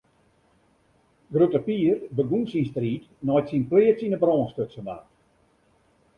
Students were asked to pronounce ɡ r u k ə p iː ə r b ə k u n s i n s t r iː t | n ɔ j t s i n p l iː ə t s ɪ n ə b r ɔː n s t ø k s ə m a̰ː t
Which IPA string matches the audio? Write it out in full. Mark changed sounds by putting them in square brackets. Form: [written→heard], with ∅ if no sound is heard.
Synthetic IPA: ɡ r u [k→t] ə p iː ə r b ə [k→ɡ] u n s i n s t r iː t | n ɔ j t s i n p l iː ə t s [ɪ→i] n ə b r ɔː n s t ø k s ə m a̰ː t